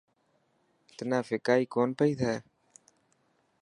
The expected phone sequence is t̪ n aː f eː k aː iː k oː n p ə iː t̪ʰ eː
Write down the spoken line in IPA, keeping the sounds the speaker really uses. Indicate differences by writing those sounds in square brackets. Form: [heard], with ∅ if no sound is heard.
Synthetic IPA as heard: t̪ n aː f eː k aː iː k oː n p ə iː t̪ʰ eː